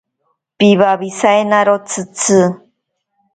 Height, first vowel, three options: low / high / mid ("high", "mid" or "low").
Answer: high